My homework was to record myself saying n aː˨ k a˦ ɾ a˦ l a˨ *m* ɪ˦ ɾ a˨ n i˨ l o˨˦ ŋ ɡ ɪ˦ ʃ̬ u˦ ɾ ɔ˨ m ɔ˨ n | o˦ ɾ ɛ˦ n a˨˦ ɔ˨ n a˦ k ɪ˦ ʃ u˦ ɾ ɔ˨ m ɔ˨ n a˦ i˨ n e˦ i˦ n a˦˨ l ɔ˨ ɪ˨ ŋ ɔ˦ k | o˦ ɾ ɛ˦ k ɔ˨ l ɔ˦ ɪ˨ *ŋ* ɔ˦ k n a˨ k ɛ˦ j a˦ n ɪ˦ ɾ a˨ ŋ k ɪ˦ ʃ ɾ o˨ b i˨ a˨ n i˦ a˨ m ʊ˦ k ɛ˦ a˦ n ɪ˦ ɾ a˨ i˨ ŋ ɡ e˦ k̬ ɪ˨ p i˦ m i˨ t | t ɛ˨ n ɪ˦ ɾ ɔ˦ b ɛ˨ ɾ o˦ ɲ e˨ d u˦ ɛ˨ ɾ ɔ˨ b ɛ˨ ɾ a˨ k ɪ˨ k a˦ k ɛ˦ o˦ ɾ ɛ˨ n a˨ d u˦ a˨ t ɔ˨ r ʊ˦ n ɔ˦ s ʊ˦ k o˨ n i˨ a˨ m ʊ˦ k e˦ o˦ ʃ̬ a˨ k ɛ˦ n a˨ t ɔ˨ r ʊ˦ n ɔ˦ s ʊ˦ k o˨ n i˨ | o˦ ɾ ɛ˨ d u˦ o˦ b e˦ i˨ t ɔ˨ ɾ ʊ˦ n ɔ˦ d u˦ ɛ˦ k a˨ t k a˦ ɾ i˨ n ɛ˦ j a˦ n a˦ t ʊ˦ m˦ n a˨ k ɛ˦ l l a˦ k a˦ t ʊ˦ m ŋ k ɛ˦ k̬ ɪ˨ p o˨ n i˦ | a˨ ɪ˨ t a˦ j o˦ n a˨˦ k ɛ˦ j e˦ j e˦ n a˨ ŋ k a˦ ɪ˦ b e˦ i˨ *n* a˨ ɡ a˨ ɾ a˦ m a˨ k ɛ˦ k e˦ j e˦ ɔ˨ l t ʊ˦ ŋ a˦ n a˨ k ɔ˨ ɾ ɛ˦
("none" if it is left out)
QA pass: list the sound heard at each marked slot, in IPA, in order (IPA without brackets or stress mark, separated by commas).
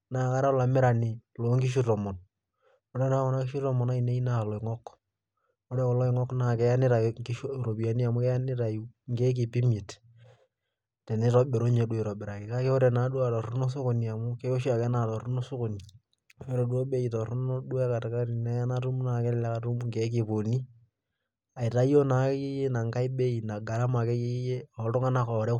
m, ŋ, n